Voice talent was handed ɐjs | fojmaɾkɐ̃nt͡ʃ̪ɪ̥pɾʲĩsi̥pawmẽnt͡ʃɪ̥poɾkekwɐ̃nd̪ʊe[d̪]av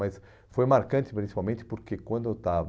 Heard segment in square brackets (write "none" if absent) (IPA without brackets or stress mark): t̪